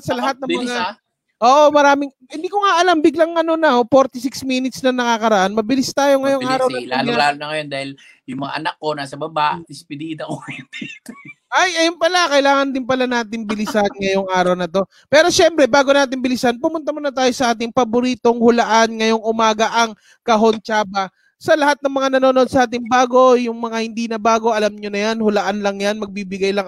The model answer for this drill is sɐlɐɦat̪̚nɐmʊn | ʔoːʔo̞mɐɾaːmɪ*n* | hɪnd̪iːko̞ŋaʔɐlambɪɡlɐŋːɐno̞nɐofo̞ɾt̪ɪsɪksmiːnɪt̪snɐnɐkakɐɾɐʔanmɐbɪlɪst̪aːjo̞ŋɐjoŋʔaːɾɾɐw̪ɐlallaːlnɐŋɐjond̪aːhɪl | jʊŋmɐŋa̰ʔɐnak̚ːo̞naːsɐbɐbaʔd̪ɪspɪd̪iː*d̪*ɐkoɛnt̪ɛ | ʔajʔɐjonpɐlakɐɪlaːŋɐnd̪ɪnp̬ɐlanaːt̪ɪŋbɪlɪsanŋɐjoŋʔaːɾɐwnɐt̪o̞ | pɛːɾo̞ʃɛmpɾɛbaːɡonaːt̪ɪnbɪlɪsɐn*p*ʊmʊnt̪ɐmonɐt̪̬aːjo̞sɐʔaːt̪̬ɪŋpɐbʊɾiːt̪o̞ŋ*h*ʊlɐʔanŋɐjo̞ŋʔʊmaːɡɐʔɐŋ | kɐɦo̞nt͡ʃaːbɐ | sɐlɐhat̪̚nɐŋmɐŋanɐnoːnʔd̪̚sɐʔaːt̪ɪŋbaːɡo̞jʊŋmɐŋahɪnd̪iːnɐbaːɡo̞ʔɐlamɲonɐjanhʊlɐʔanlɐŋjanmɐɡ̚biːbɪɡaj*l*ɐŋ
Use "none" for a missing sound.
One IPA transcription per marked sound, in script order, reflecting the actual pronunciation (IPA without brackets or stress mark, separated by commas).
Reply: ŋ, d̪, p, h, l